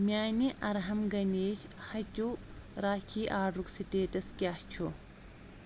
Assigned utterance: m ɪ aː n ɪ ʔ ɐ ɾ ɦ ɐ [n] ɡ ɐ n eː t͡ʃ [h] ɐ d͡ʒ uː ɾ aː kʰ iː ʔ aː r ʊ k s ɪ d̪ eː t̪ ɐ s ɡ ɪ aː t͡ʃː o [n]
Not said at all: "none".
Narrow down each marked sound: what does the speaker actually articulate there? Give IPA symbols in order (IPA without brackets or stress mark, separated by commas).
m, h, none